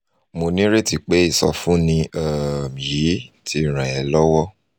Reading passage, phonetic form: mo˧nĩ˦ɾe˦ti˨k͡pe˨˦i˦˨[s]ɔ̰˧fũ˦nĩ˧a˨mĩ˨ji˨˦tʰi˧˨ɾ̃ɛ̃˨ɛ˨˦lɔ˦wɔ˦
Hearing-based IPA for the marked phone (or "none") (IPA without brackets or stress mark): s